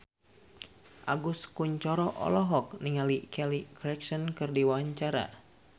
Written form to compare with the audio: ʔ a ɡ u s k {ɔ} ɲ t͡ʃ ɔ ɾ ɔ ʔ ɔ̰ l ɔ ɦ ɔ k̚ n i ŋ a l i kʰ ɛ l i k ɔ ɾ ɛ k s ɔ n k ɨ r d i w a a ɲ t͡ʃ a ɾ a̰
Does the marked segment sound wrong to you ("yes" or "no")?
yes